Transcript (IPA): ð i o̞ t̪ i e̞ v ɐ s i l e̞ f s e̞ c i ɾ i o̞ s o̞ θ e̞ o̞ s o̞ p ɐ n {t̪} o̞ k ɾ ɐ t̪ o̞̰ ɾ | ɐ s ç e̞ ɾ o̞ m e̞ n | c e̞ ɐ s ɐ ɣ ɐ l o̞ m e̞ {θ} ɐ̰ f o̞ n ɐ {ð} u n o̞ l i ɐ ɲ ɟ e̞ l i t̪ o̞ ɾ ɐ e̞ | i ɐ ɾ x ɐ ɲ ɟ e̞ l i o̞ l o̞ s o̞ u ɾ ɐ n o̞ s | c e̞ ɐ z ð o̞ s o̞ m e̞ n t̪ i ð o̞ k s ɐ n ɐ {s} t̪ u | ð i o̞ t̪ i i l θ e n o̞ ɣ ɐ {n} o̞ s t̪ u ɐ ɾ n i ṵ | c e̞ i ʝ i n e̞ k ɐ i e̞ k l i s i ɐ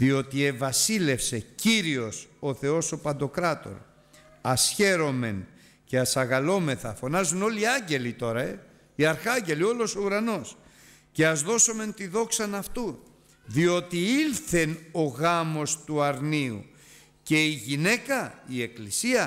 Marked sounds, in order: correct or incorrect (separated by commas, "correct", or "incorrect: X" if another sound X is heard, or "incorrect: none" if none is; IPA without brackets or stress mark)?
incorrect: d̪, correct, incorrect: z, incorrect: f, incorrect: m